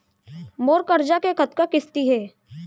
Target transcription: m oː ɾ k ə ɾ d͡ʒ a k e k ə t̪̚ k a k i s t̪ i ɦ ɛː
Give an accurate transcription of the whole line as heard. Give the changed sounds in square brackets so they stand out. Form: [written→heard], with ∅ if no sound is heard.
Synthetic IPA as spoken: m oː ɾ k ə ɾ d͡ʒ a k e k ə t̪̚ k a k [i→ɪ] s t̪ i ɦ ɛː